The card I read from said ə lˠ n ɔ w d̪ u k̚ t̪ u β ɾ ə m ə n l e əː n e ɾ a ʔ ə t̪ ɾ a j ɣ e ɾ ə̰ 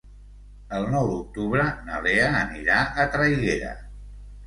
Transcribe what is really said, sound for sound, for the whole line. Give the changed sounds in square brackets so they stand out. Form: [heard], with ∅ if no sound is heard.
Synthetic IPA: ə lˠ n ɔ w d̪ u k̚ t̪ u β ɾ ə [n] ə [∅] l e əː n [i] ɾ a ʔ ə t̪ ɾ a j ɣ e ɾ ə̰